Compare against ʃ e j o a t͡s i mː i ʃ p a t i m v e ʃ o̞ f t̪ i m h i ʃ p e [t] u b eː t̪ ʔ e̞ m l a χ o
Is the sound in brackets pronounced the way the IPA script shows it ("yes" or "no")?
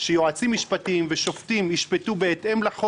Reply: yes